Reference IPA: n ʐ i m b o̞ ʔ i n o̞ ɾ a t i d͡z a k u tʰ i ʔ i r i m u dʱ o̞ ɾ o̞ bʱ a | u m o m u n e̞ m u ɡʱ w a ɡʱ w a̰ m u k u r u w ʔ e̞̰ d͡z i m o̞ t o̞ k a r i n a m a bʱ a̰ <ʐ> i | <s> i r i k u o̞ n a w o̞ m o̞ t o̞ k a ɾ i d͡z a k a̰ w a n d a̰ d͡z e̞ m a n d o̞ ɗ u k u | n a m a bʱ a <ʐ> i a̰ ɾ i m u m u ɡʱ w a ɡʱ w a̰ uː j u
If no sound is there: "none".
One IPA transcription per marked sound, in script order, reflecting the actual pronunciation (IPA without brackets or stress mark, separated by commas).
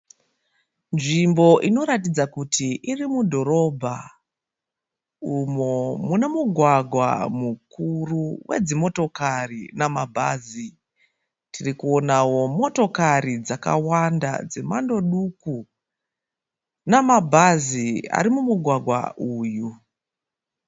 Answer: z, t, z